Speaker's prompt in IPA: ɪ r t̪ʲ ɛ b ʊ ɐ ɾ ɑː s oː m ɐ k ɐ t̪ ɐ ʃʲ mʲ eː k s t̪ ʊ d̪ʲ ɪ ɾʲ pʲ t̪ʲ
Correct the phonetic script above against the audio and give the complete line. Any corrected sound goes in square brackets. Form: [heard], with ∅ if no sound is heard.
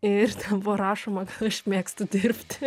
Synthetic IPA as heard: ɪ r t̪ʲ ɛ b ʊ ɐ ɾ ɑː [ʃ] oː m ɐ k ɐ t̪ ɐ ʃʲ mʲ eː k s t̪ ʊ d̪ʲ ɪ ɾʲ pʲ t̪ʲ